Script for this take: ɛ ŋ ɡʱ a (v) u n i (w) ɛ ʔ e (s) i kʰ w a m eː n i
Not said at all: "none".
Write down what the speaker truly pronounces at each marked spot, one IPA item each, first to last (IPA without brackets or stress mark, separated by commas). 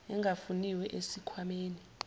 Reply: f, w, s